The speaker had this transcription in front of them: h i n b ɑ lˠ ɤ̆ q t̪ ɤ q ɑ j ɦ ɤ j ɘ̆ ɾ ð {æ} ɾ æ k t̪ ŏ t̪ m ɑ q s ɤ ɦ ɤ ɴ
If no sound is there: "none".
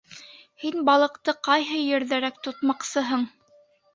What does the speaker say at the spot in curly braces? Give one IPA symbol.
æ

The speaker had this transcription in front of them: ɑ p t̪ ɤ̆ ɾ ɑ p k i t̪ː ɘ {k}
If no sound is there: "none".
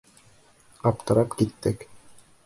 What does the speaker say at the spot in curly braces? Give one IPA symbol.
k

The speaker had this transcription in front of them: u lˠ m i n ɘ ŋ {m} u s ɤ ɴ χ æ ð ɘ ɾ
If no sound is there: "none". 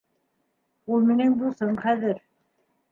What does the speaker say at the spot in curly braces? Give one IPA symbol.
b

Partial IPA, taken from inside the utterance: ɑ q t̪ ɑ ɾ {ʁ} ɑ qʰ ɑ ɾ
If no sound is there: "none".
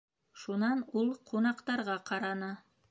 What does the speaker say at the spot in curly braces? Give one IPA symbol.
ʁ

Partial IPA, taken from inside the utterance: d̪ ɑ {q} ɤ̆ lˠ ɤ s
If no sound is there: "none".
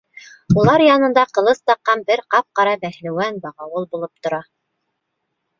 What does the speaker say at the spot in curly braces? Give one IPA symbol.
q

